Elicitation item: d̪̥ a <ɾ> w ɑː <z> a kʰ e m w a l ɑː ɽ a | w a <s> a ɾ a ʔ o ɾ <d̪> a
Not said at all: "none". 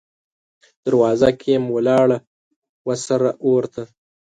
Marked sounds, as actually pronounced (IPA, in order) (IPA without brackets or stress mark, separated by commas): ɾ, z, s, t̪